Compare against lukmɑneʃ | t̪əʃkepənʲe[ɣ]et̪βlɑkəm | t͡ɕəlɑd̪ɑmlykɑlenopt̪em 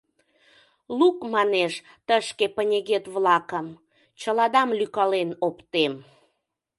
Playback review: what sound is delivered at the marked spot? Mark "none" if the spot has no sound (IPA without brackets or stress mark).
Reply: ɣ